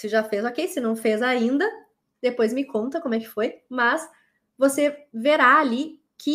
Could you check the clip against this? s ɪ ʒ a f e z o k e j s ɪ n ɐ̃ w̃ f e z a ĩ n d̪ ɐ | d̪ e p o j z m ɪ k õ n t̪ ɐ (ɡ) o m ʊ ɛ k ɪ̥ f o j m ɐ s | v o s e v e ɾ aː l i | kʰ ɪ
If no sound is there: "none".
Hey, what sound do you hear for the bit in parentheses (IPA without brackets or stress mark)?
k